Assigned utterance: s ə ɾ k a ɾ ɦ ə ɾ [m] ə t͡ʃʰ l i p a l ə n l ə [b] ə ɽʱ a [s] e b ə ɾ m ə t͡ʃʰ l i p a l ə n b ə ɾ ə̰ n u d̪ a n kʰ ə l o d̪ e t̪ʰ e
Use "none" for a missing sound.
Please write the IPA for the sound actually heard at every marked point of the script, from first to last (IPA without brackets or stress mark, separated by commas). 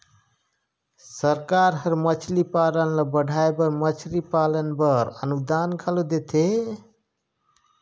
m, b, none